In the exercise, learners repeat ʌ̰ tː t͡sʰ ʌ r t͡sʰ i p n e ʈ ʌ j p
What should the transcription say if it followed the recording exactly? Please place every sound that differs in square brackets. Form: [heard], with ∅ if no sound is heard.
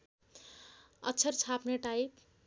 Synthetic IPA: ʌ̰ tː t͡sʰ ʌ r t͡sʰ [a] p n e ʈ [a] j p